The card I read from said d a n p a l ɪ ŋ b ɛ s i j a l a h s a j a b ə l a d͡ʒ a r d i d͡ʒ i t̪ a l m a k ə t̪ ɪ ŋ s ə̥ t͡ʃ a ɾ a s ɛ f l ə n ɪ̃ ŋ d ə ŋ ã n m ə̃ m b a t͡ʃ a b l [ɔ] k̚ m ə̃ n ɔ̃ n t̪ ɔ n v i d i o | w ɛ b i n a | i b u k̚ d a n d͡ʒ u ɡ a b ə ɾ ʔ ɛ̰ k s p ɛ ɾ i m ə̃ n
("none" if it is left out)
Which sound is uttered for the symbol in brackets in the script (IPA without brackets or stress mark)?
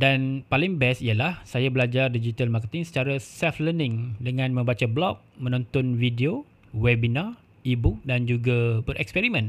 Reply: ɔ